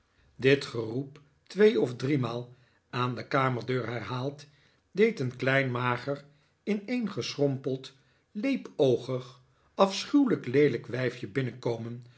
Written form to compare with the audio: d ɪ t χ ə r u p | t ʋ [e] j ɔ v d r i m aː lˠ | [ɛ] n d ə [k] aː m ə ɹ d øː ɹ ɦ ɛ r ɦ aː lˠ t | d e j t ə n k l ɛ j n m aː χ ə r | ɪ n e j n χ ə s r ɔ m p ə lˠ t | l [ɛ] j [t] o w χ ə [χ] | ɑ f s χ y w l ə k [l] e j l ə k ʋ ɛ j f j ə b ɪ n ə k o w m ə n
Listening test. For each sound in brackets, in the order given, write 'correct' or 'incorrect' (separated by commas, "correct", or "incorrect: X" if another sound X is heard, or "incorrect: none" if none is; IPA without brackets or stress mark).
correct, incorrect: a, correct, incorrect: e, incorrect: p, correct, correct